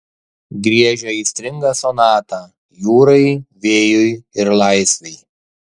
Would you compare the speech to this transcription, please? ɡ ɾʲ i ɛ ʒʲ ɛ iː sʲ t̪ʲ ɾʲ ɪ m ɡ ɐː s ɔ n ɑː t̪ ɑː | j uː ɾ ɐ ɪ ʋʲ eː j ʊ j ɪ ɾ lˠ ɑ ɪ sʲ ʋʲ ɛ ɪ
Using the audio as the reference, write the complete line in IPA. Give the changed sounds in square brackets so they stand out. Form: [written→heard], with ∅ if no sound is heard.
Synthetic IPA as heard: ɡ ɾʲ i ɛ ʒʲ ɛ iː sʲ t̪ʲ ɾʲ ɪ [m→ŋ] ɡ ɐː s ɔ n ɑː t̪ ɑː | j uː ɾ ɐ ɪ ʋʲ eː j ʊ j ɪ ɾ lˠ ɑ ɪ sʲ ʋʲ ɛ ɪ